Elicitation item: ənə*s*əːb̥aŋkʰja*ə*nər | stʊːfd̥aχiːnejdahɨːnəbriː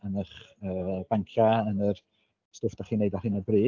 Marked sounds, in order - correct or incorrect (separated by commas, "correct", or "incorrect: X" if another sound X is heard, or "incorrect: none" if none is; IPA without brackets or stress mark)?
incorrect: χ, correct